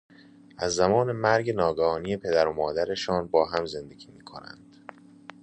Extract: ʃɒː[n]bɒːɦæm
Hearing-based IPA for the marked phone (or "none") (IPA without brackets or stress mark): n